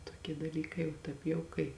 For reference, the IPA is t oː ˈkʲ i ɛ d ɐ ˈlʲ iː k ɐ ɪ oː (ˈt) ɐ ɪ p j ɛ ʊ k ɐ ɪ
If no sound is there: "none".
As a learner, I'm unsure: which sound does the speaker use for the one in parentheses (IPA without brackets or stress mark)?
t